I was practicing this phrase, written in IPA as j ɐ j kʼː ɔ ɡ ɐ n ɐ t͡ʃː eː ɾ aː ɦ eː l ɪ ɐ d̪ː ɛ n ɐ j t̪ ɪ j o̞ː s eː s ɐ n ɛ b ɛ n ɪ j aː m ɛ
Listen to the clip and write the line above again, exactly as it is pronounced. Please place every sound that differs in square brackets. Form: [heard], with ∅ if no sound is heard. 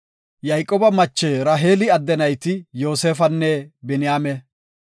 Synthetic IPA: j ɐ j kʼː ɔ [b] ɐ [m] ɐ t͡ʃː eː ɾ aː ɦ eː l ɪ ɐ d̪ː ɛ n ɐ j t̪ ɪ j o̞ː s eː [f] ɐ [nː] ɛ b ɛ n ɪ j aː m ɛ